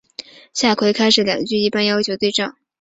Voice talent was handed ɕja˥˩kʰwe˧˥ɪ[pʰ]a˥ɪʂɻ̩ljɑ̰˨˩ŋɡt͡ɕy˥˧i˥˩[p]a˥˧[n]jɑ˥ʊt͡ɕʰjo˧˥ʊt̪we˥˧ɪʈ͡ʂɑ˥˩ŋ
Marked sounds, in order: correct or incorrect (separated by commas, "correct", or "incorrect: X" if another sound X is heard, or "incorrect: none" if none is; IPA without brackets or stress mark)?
incorrect: kʰ, correct, correct